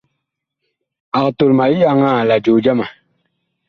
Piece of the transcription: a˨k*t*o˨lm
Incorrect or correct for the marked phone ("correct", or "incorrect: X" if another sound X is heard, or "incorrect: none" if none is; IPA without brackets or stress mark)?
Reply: correct